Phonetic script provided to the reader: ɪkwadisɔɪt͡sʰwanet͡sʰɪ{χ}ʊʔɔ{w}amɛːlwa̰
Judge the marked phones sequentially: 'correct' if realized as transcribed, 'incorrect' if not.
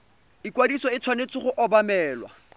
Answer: correct, incorrect: b

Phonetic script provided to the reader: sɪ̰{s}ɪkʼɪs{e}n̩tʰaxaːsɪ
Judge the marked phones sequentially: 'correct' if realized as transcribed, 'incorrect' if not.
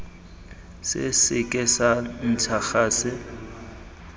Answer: correct, incorrect: a

